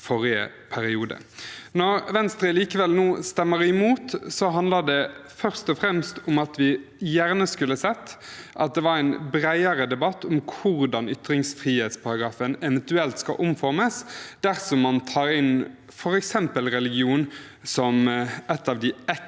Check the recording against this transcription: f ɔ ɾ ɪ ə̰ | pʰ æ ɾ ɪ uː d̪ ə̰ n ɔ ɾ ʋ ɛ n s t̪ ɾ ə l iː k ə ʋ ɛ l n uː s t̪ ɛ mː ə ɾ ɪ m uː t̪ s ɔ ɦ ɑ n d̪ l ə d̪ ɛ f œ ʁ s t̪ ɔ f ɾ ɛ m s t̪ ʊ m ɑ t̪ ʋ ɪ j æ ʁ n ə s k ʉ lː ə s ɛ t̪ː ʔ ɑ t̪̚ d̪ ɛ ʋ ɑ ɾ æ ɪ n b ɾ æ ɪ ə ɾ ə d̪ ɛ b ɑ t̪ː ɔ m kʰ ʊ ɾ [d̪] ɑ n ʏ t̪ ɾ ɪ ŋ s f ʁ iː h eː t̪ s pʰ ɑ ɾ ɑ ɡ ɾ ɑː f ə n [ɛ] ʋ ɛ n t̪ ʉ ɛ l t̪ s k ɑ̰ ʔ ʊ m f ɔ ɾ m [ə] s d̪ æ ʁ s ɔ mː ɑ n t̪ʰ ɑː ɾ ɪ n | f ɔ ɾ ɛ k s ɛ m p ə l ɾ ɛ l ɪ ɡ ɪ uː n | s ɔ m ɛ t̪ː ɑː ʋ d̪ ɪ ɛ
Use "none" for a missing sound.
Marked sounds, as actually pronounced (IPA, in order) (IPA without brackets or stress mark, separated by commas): d̪, ɛ, ə